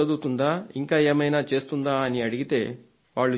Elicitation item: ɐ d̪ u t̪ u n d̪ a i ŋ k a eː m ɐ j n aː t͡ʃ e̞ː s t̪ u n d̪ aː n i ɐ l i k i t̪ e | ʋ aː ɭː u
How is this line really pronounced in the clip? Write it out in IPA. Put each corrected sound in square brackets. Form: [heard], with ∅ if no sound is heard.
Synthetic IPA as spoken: ɐ d̪ u t̪ u n d̪ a i ŋ k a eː m ɐ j n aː t͡ʃ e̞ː s t̪ u n d̪ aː n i ɐ [ɽ] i [ɡ] i t̪ e | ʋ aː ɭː u